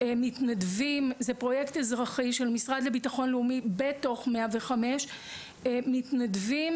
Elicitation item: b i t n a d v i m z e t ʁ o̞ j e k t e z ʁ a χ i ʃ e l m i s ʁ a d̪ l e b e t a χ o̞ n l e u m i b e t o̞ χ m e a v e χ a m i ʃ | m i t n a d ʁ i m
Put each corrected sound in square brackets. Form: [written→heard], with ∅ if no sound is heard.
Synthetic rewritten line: [b→m] i t n a d v i m z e [t→p] ʁ o̞ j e k t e z ʁ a χ i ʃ e l m i s ʁ a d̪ l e b [e→i] t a χ o̞ n l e u m i b e t o̞ χ m e a v e χ a m [i→e] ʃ | m i t n a d [ʁ→v] i m